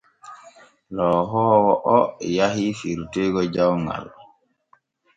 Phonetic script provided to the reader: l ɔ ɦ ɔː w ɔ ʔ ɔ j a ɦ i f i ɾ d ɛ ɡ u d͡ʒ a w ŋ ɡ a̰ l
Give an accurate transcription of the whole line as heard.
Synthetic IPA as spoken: l ɔ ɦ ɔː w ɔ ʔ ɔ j a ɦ i f i ɾ t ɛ ɡ ɔ d͡ʒ a w ŋ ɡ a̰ l